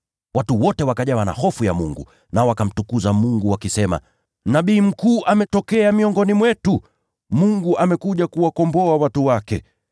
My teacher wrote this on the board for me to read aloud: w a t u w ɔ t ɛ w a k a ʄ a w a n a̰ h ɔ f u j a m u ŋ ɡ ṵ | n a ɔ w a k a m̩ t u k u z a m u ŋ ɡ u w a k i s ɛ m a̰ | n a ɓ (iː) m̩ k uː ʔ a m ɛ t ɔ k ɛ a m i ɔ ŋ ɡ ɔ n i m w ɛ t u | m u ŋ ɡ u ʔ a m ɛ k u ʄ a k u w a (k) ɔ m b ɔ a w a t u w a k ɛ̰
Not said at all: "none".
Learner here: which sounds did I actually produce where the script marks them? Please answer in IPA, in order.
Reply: iː, k

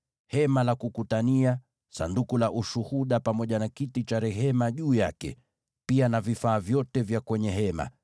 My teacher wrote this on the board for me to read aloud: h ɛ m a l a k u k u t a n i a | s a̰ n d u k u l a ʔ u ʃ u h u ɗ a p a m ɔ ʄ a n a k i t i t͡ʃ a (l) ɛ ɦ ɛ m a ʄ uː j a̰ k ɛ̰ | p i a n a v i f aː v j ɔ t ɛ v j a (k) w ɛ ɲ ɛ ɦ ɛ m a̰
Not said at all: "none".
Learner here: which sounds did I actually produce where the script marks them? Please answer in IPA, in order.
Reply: ɾ, k

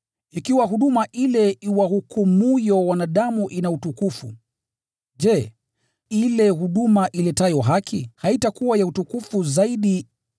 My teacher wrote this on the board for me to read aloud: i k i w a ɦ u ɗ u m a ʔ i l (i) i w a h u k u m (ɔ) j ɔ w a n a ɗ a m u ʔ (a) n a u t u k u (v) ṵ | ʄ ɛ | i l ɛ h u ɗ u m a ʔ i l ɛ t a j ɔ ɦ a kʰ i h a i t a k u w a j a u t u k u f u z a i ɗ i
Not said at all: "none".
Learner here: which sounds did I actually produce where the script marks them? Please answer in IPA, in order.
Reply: ɛ, u, i, f

